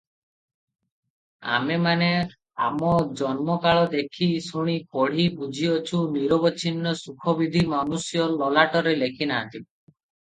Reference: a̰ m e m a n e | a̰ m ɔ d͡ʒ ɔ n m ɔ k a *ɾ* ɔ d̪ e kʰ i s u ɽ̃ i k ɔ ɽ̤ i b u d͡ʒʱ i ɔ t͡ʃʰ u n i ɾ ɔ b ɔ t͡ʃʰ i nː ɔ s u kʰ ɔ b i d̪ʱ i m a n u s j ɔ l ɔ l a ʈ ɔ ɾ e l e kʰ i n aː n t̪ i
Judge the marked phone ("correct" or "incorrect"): incorrect